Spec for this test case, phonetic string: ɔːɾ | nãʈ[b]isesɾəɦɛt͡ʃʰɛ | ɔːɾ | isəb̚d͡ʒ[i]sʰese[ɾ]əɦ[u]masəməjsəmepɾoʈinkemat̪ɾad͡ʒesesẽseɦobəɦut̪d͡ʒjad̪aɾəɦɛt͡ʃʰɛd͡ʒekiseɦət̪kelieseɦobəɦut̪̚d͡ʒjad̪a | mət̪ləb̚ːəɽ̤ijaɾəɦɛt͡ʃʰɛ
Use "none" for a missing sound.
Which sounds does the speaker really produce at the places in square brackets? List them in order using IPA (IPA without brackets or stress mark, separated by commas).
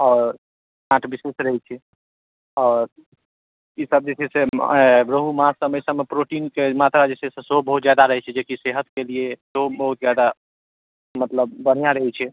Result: b, e, ɾ, u